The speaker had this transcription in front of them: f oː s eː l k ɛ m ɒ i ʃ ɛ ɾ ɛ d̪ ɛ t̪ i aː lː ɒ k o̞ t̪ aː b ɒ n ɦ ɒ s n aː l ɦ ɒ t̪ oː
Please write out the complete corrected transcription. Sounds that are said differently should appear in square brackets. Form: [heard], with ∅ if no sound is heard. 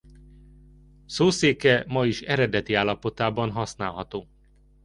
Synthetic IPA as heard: [s] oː s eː [∅] k ɛ m ɒ i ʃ ɛ ɾ ɛ d̪ ɛ t̪ i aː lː ɒ [p] o̞ t̪ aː b ɒ n ɦ ɒ s n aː l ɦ ɒ t̪ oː